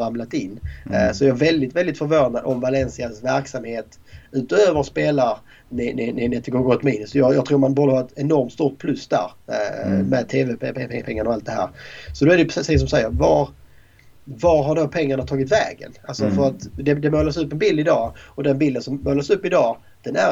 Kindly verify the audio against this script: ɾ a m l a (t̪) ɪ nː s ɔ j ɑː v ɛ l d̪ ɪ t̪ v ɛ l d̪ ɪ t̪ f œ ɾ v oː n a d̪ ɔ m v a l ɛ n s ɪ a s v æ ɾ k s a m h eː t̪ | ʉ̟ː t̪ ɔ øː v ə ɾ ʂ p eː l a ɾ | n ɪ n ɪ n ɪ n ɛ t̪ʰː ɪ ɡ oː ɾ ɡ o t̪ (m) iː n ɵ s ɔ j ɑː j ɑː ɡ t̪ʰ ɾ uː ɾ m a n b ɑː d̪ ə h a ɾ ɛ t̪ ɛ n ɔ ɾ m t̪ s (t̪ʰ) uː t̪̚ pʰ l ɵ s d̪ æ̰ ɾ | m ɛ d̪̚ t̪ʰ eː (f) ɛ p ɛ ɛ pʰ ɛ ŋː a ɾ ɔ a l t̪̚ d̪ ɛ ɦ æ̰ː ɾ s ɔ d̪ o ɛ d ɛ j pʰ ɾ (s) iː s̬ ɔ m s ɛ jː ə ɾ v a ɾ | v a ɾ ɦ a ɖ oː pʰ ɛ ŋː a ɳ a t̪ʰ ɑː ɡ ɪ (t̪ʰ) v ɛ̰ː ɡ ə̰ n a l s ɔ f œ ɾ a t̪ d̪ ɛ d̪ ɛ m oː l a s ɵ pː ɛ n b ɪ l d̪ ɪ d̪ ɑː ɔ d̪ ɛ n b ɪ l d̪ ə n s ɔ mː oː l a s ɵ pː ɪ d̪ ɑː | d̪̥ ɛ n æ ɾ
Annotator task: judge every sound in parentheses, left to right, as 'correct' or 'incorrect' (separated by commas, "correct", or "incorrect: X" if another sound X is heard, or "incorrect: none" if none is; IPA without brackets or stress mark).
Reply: correct, correct, incorrect: t̪, incorrect: v, correct, incorrect: t̪